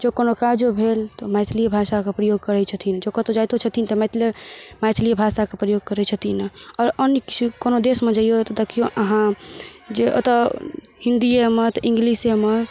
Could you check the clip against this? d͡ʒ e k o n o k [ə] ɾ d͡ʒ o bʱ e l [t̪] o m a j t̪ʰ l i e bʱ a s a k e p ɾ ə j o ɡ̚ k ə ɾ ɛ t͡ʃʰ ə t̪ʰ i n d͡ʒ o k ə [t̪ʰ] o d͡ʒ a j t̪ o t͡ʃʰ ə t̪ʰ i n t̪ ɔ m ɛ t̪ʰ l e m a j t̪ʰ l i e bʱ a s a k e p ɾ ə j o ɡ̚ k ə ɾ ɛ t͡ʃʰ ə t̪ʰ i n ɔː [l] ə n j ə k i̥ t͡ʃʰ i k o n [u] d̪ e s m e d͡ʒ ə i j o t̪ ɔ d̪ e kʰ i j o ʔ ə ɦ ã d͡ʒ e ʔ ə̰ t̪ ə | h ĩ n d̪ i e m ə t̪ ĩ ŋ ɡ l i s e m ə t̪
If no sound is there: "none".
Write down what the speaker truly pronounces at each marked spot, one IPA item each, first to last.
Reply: a, t̪, t̪, ɾ, o

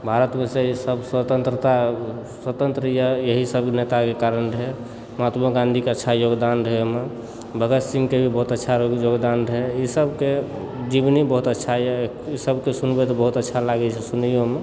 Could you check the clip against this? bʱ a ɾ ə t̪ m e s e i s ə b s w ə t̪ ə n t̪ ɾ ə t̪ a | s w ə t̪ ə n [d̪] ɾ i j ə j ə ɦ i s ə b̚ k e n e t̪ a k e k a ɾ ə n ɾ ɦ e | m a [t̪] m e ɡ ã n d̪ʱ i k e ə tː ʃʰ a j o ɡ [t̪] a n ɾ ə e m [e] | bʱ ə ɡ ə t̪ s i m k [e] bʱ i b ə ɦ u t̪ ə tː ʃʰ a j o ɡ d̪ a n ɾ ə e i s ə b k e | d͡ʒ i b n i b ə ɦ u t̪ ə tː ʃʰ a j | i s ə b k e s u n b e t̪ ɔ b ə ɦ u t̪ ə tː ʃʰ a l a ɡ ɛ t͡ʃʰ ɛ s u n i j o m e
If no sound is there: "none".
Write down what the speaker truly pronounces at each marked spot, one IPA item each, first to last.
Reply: t̪, t̪, d̪, e, e

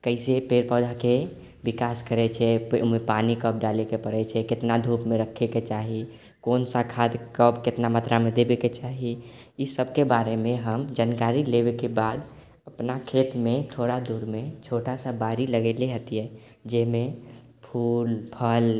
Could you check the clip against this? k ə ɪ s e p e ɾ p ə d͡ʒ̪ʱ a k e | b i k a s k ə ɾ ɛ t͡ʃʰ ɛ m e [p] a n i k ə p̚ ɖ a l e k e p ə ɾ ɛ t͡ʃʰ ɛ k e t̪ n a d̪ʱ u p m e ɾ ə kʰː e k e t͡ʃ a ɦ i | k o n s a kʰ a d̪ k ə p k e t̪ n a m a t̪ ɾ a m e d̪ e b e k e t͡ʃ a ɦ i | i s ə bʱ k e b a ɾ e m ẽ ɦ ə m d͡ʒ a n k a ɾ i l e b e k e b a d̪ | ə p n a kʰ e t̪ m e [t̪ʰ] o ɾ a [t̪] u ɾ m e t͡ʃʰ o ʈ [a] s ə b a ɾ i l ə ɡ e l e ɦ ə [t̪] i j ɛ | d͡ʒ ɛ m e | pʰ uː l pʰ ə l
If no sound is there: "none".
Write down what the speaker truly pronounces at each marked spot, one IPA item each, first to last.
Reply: p, t̪ʰ, d̪, a, t̪

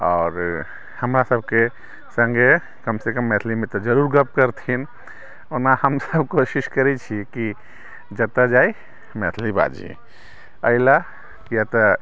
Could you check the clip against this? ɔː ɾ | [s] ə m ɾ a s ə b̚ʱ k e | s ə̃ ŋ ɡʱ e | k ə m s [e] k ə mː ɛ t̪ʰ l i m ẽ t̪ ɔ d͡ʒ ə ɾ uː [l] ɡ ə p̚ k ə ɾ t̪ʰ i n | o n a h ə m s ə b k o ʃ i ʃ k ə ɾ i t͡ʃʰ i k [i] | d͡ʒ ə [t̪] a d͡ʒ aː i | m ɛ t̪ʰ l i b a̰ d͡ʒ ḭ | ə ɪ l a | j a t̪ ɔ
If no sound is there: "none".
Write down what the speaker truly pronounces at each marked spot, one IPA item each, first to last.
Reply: h, e, ɾ, i, t̪

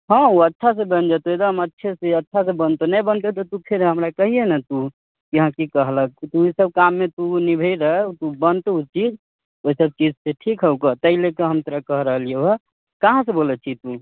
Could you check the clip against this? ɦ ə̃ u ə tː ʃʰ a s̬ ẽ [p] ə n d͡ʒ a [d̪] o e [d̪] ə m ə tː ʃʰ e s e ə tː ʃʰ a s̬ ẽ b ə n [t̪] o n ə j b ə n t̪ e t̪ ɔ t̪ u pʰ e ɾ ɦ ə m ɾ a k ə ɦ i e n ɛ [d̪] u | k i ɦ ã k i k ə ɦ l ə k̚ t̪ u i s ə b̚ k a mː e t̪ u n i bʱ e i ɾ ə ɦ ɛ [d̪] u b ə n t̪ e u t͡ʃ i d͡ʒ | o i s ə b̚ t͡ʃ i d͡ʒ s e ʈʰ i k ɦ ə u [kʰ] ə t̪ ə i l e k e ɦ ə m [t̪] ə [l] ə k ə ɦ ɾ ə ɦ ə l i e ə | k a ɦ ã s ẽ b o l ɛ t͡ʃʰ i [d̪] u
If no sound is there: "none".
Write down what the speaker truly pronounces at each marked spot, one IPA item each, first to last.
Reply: b, t̪, d̪, t̪, t̪, t̪, k, t̪, ɾ, t̪

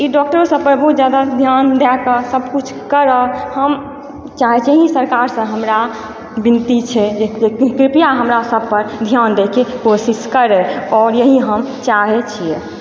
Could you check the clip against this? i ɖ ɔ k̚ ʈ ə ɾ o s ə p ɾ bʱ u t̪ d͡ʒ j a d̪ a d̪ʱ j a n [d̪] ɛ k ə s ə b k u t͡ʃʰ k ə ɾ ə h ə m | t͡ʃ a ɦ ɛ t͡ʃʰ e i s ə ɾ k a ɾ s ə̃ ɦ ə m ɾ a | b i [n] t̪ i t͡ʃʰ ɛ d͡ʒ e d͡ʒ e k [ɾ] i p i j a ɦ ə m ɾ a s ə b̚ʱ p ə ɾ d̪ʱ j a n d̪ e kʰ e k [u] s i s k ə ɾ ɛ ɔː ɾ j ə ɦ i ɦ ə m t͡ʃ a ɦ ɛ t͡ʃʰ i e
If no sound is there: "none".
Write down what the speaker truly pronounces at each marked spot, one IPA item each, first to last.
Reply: d̪, n, ɾ, o

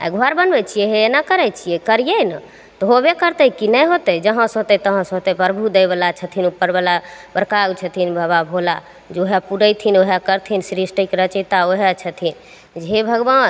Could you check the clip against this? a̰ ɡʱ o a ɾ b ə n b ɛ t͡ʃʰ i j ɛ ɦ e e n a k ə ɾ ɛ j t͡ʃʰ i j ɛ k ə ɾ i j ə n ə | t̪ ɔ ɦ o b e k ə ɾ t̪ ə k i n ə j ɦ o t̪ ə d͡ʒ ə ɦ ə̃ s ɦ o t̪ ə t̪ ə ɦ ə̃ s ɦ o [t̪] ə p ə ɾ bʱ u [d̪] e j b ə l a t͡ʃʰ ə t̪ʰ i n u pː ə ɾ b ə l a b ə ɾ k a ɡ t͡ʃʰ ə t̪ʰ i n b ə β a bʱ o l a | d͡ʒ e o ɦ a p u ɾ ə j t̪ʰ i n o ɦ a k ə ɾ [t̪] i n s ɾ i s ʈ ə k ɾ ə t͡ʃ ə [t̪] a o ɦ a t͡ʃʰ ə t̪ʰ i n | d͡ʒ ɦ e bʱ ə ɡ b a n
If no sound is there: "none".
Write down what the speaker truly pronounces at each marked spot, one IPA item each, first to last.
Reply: t̪, d̪, t̪ʰ, t̪

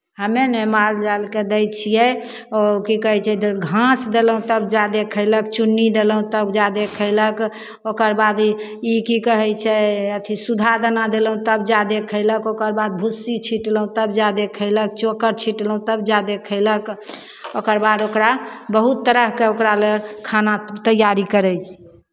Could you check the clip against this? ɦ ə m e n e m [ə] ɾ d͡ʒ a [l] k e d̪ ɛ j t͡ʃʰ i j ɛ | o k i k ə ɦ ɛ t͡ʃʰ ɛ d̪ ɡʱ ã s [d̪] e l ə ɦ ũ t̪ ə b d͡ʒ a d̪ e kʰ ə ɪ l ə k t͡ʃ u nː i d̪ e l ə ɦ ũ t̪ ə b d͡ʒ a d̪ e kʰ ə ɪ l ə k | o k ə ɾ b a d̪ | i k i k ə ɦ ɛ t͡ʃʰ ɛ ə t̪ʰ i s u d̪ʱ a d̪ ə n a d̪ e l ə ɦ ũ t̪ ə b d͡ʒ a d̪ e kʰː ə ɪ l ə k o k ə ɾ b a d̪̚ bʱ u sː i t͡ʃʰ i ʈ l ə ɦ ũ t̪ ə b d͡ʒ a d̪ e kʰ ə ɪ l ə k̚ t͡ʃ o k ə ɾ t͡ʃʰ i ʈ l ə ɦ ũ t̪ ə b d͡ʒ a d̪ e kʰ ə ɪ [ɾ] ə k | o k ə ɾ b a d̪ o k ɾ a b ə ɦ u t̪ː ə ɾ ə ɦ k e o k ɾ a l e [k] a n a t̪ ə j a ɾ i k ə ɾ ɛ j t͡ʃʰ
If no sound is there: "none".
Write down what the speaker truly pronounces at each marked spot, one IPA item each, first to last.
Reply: a, l, d̪, l, kʰ

